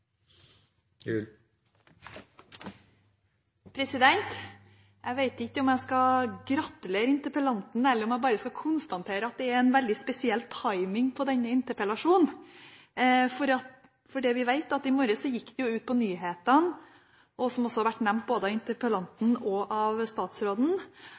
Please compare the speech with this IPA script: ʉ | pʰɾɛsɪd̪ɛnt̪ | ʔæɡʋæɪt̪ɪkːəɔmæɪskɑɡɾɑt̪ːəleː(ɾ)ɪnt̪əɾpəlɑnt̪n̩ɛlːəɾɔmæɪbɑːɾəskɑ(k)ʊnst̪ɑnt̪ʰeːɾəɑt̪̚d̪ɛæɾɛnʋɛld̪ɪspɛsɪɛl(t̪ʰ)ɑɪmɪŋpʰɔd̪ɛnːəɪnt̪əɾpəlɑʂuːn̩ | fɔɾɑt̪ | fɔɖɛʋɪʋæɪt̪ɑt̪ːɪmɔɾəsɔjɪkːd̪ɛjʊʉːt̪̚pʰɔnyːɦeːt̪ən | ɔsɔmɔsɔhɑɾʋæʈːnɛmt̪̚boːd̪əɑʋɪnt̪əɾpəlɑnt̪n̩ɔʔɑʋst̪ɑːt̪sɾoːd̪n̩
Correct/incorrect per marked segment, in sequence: correct, incorrect, correct

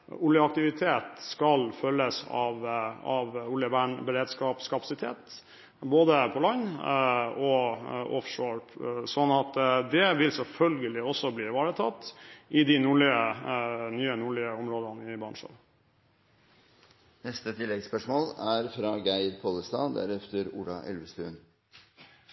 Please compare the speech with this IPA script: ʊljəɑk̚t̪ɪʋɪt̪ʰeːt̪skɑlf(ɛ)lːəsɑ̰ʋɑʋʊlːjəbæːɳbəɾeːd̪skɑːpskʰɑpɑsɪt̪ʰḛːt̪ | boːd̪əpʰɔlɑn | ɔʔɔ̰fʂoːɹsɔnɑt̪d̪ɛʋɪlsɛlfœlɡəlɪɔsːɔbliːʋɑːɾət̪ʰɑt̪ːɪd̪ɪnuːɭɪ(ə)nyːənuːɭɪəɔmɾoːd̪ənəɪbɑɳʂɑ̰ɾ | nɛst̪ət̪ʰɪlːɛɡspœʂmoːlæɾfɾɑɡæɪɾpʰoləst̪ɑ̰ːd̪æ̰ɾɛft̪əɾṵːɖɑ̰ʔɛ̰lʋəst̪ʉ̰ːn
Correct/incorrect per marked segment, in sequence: incorrect, correct

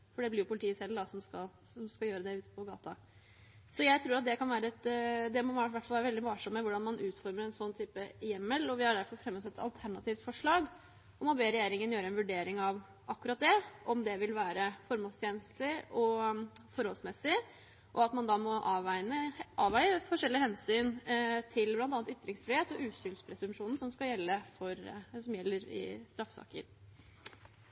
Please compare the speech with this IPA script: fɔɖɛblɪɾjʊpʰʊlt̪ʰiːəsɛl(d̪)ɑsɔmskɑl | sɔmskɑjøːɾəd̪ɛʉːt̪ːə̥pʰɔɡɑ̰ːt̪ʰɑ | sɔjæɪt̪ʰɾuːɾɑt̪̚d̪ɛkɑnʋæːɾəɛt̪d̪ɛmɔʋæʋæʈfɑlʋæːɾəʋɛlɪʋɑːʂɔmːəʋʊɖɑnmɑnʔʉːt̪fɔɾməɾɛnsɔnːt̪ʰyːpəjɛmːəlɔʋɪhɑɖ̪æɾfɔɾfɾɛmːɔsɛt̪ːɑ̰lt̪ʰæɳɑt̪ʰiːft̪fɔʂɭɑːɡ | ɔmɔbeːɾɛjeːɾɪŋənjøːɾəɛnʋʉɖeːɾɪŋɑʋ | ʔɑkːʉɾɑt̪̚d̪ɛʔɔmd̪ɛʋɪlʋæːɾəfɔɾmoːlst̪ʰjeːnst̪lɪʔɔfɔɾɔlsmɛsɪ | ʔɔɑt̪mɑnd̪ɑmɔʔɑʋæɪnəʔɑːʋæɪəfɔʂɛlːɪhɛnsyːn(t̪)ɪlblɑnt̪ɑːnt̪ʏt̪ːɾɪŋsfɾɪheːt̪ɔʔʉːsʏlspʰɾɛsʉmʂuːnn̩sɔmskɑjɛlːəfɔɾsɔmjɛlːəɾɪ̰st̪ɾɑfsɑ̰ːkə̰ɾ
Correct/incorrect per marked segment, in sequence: correct, incorrect

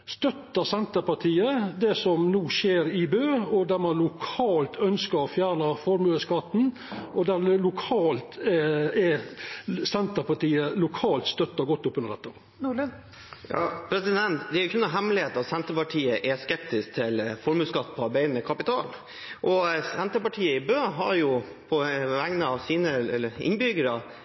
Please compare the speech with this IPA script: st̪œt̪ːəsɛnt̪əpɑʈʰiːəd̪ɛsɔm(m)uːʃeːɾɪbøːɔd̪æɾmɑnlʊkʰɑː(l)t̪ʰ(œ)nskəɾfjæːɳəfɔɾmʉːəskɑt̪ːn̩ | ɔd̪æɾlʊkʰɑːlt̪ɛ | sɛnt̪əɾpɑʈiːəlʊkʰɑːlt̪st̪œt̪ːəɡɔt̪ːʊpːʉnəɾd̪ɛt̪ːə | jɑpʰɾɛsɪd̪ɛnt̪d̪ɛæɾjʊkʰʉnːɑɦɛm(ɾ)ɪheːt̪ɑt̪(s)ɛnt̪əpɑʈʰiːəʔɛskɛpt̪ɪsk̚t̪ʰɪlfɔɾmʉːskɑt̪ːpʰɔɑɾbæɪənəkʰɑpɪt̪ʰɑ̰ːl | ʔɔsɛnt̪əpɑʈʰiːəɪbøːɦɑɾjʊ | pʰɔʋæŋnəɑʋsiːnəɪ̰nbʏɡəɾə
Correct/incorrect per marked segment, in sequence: incorrect, correct, correct, incorrect, correct

